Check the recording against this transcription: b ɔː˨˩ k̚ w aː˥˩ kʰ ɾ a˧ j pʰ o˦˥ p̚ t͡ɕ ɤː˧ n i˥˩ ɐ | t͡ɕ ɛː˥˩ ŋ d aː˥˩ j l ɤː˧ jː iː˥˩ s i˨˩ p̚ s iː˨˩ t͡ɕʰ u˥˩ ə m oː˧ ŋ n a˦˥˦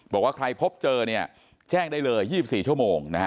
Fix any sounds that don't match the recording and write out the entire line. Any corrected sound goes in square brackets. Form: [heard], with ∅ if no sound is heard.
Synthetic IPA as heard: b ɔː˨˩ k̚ w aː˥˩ kʰ ɾ a˧ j pʰ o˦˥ p̚ t͡ɕ ɤː˧ n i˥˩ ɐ | t͡ɕ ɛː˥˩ ŋ d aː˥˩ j l ɤː˧ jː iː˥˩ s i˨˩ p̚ s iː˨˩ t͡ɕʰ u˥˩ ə m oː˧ ŋ n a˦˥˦